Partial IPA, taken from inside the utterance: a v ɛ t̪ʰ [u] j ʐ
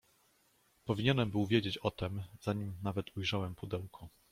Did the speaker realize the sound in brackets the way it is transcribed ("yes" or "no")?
yes